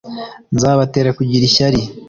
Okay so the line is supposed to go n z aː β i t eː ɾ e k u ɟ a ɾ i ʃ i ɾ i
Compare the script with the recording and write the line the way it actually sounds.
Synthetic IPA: n z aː β a t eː ɾ a k u ɟ i ɾ i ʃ a ɾ i